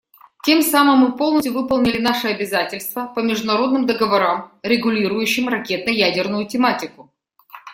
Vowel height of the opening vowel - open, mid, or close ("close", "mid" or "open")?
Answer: mid